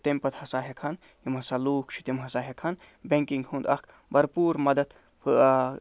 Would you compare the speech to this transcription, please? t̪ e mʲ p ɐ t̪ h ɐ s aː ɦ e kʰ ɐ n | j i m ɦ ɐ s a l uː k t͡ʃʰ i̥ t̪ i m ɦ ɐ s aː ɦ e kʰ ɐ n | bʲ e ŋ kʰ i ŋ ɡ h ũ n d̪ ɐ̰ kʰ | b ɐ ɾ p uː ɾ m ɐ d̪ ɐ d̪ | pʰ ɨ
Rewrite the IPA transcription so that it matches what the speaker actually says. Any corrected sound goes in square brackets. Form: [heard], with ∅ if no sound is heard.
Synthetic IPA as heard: t̪ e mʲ p ɐ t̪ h ɐ s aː ɦ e kʰ ɐ n | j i m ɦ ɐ s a l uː k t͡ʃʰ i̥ t̪ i m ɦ ɐ s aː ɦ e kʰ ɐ n | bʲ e ŋ [k] i ŋ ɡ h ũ n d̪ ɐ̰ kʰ | b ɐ ɾ p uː ɾ m ɐ d̪ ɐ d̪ | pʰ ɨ